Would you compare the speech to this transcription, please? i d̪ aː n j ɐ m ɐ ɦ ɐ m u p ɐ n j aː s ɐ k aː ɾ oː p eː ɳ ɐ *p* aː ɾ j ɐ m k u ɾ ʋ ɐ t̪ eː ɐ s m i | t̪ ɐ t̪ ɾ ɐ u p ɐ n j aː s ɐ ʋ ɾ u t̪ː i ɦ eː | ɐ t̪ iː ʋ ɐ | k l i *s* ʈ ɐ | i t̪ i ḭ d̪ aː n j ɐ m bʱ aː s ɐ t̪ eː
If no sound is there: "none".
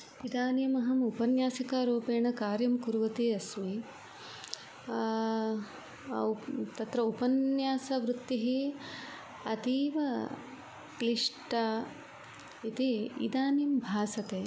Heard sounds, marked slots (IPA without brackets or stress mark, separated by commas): k, ʂ